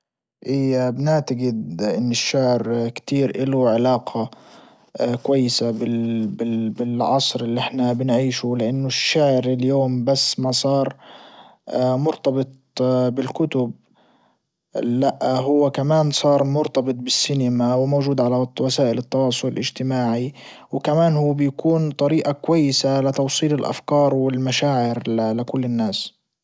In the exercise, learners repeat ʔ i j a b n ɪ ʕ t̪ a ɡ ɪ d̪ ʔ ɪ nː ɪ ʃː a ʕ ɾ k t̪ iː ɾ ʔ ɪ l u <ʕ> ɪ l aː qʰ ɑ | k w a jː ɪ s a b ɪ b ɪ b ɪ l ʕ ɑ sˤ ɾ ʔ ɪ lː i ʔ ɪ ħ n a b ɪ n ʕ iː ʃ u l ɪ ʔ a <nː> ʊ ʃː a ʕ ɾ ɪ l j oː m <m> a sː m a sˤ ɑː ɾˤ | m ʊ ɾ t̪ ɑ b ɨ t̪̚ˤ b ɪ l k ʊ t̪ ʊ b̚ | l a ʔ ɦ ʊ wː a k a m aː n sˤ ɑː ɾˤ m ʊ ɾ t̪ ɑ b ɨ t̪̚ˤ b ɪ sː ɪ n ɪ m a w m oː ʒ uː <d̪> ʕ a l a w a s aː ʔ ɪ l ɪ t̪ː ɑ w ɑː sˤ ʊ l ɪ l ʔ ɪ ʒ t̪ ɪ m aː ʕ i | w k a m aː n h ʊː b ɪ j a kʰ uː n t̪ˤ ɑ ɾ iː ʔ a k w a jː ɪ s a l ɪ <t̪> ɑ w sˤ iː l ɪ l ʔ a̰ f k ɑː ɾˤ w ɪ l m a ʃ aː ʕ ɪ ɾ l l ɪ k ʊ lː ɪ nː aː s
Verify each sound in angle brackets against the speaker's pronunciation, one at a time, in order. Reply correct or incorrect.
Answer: correct, correct, incorrect: b, correct, correct

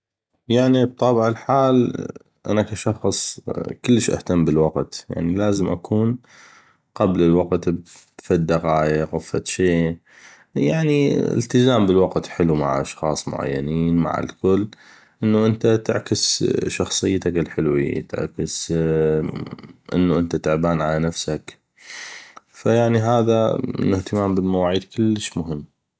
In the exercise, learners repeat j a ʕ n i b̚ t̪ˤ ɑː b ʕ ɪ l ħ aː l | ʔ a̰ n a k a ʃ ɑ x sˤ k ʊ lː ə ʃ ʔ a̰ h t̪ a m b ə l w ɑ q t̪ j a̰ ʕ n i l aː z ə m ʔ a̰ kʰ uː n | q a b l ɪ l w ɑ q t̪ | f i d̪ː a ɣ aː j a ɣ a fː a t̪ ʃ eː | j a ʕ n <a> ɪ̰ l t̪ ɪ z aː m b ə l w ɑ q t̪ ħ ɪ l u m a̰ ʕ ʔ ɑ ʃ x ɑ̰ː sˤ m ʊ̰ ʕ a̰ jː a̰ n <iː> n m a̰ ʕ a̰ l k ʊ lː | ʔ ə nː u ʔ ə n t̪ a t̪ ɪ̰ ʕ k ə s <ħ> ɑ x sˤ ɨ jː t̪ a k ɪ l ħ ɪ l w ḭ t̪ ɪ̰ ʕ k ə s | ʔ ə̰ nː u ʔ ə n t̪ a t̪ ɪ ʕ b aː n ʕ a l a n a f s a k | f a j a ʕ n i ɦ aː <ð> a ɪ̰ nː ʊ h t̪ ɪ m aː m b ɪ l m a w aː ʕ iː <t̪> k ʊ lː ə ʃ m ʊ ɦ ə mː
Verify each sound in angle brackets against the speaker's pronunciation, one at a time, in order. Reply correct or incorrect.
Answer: incorrect: i, correct, incorrect: ʃ, correct, incorrect: d̪

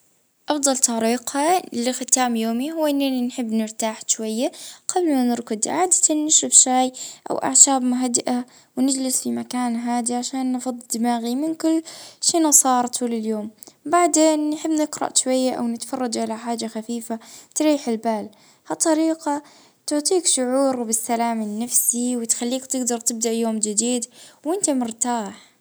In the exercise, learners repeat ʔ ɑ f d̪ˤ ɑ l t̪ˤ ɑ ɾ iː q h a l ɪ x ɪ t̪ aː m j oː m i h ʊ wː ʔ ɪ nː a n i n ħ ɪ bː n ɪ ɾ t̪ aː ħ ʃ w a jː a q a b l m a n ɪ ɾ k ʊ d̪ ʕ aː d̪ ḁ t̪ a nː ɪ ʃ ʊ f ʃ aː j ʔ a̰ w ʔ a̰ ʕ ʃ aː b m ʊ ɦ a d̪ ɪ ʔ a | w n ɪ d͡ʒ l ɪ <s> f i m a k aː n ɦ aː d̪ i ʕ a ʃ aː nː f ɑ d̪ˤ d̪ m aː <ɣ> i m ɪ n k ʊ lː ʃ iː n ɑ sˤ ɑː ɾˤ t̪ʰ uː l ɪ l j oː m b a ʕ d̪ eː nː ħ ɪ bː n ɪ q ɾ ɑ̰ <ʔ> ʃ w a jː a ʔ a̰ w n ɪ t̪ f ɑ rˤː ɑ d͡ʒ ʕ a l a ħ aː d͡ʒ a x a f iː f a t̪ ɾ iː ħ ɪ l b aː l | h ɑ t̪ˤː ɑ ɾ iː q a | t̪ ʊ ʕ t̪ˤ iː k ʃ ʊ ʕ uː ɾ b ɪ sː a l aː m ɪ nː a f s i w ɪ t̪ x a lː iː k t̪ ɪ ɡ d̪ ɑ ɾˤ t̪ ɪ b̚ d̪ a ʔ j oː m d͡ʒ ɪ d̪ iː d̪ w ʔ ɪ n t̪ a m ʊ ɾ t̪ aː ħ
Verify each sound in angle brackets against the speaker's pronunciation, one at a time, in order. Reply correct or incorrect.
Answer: correct, correct, correct

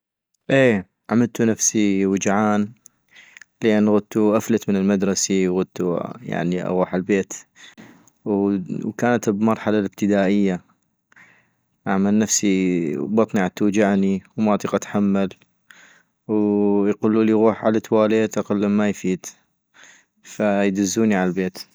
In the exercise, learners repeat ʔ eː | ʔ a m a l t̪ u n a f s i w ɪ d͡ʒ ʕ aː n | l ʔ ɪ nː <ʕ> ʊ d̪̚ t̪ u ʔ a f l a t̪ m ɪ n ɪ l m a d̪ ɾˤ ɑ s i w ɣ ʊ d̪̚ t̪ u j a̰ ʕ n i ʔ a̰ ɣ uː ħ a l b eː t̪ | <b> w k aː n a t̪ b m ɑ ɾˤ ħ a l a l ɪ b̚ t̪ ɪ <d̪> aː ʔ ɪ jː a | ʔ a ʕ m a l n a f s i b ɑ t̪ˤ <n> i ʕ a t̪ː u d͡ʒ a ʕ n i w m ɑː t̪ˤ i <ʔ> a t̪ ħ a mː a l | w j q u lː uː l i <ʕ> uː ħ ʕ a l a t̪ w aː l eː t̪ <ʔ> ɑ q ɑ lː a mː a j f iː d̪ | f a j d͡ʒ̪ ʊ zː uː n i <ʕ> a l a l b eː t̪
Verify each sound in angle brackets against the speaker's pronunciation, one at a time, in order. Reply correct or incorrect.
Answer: incorrect: ɣ, incorrect: w, correct, correct, incorrect: q, incorrect: ɣ, correct, correct

